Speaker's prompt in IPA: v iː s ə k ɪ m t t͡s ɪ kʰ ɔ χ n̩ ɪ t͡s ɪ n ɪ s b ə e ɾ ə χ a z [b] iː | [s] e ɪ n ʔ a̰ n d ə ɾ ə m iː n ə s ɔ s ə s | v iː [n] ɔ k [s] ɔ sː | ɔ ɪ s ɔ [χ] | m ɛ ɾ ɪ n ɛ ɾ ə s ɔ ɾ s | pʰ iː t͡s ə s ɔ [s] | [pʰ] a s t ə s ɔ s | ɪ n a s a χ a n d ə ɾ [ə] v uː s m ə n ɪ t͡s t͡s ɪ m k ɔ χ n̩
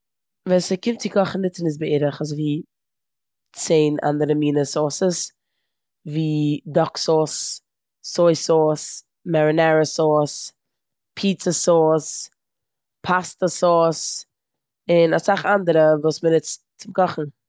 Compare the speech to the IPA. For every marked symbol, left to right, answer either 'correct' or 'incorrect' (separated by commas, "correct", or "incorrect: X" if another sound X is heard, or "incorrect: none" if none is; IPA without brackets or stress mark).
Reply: incorrect: v, incorrect: t͡s, incorrect: d, correct, incorrect: s, correct, correct, correct